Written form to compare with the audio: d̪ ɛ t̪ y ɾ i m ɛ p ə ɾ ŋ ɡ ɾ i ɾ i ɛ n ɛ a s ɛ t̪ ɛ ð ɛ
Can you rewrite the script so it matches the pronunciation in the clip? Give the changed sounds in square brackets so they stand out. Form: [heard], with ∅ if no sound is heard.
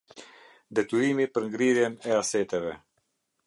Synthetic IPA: d̪ ɛ t̪ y ɾ i m [i] p ə ɾ ŋ ɡ ɾ i ɾ [j] ɛ n ɛ a s ɛ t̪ ɛ [v] ɛ